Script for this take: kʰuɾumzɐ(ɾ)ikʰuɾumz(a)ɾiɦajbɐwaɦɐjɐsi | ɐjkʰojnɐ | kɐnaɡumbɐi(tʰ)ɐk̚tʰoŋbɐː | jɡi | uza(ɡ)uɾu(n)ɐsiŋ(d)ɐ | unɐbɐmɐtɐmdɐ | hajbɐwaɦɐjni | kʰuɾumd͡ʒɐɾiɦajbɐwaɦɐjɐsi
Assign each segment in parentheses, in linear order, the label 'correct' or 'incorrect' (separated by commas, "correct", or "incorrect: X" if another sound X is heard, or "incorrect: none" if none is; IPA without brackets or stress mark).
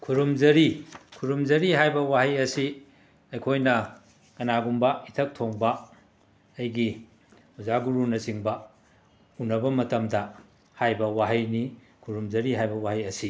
correct, incorrect: ɐ, correct, correct, correct, incorrect: b